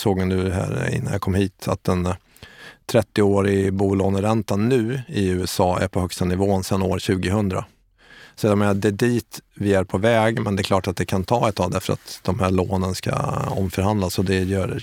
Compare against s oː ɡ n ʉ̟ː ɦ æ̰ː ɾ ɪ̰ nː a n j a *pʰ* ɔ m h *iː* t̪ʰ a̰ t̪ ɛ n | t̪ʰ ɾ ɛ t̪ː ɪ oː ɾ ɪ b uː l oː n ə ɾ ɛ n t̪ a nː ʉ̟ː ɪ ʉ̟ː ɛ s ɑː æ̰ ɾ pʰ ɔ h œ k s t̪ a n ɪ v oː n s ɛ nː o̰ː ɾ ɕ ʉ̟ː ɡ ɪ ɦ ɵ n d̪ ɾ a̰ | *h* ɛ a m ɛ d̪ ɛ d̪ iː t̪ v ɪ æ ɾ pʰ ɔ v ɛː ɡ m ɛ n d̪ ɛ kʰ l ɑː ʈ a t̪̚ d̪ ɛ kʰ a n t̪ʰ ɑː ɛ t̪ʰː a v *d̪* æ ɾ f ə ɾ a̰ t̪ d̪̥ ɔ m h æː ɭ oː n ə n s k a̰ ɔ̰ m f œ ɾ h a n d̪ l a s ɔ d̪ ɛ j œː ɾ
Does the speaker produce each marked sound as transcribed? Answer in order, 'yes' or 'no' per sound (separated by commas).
no, yes, no, yes